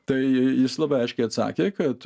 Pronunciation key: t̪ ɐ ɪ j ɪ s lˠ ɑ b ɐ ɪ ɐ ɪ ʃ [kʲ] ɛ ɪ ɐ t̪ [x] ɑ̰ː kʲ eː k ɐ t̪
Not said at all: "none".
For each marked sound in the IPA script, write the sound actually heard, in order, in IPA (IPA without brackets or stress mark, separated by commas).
kʲ, s